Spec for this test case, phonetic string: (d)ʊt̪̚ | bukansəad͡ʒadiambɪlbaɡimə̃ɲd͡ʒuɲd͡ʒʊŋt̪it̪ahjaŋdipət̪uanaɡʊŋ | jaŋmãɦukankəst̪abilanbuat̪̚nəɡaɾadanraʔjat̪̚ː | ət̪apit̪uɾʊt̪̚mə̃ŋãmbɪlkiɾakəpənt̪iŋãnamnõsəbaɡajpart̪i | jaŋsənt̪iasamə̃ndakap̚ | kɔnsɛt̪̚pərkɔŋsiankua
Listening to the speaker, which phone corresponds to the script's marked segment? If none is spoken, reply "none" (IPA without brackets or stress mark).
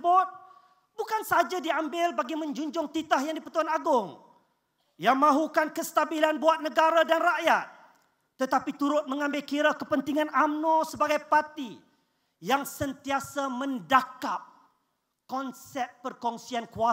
b